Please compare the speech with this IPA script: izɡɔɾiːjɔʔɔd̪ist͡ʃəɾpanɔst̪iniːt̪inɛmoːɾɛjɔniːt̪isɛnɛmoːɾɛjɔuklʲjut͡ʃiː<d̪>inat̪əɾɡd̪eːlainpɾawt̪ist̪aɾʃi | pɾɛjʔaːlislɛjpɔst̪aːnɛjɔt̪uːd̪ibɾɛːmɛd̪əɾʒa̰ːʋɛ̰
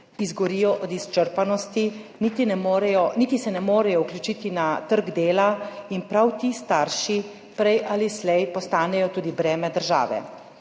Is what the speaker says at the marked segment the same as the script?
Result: no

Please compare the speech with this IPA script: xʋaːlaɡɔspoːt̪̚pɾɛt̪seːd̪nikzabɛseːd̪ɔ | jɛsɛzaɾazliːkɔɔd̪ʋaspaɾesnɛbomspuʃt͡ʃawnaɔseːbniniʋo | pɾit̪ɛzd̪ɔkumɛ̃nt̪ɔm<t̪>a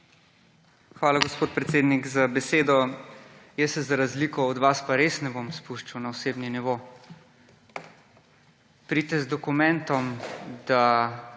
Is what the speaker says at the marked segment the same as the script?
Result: no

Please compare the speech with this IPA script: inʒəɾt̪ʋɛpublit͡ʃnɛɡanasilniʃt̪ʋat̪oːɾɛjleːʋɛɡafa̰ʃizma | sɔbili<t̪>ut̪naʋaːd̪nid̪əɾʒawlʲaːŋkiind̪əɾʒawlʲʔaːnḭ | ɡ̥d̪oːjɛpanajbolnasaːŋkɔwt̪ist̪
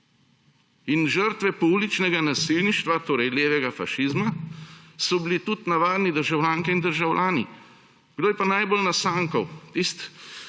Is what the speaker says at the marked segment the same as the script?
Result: yes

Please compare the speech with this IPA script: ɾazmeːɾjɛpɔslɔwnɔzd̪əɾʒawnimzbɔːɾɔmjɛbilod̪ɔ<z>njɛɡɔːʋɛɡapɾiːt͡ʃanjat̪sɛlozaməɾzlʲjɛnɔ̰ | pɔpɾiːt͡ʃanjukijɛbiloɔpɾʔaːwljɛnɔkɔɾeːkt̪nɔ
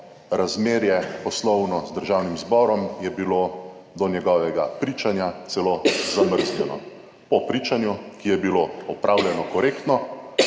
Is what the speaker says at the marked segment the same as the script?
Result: no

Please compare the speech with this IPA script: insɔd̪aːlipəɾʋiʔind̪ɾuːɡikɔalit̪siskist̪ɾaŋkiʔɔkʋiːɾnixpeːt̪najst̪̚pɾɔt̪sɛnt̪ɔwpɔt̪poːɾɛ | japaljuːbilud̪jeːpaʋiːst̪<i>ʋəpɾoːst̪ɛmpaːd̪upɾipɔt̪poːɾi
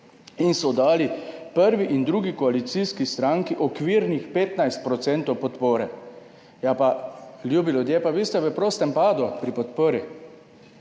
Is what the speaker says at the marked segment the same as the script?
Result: no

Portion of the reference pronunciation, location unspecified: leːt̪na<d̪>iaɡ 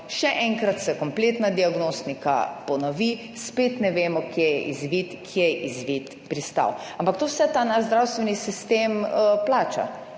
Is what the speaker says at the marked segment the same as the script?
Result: yes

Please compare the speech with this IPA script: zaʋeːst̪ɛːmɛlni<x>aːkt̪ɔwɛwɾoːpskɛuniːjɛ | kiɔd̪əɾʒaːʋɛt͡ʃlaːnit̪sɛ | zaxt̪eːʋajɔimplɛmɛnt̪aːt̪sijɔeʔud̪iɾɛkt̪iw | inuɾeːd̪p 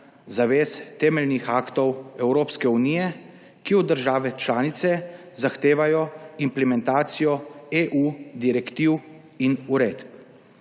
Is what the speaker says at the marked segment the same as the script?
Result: yes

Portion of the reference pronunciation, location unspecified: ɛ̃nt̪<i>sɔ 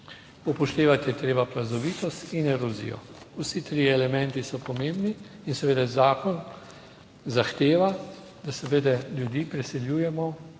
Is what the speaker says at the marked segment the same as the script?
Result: yes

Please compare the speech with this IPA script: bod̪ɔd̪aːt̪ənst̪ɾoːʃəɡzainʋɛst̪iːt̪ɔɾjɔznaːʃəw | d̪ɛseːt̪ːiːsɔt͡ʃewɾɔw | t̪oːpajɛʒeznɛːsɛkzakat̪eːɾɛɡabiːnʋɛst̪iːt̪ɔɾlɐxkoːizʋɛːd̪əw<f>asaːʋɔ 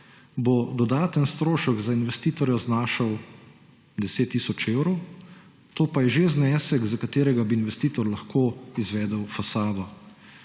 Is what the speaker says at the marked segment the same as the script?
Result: yes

